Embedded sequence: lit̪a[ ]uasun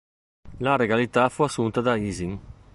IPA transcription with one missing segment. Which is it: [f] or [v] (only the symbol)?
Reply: f